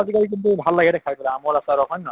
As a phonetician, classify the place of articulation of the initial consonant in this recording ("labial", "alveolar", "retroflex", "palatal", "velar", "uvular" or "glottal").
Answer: alveolar